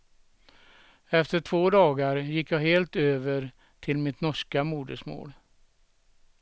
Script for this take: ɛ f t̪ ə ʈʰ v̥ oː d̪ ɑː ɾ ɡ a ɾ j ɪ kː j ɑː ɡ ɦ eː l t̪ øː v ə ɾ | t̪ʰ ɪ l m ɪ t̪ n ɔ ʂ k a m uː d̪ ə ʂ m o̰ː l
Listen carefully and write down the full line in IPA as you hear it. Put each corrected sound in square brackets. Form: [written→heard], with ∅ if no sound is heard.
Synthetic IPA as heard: ɛ f t̪ ə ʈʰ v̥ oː d̪ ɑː [ɾ→∅] ɡ a ɾ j ɪ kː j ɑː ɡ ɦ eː l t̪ øː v ə ɾ | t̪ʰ ɪ l m ɪ t̪ n ɔ ʂ k a m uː d̪ ə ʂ m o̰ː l